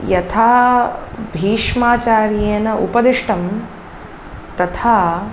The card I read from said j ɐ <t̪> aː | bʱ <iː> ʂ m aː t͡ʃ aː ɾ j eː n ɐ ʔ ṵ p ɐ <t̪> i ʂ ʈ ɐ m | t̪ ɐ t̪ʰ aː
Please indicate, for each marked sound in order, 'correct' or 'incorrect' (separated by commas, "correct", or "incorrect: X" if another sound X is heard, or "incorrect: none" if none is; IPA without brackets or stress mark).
incorrect: t̪ʰ, correct, incorrect: d̪